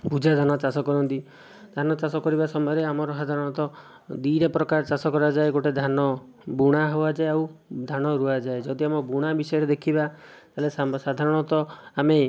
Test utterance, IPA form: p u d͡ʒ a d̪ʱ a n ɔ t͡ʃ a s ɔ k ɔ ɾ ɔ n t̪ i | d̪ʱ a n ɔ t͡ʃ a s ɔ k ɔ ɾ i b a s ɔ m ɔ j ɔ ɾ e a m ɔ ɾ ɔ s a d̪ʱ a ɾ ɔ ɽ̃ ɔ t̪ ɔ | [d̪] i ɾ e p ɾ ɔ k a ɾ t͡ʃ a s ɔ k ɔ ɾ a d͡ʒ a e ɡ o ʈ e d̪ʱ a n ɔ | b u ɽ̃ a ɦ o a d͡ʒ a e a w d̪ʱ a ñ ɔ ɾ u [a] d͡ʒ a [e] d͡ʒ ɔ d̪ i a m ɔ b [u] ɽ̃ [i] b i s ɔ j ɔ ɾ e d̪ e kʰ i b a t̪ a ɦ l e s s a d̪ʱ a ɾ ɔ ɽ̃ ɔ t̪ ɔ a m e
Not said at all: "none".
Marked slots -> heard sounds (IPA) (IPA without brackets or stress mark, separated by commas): d̪, a, e, u, a